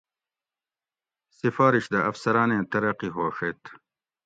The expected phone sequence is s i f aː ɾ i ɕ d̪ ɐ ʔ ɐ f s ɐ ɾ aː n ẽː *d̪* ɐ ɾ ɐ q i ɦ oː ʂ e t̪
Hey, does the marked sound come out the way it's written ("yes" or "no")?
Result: no